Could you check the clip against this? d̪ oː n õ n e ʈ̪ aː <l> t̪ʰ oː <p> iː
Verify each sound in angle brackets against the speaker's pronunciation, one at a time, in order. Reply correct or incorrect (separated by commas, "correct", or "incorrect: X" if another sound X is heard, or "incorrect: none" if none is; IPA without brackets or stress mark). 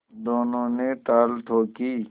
correct, incorrect: k